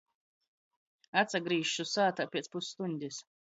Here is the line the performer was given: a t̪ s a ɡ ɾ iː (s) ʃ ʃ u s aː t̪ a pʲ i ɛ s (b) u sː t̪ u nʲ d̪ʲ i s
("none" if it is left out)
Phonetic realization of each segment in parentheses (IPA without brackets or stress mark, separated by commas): none, p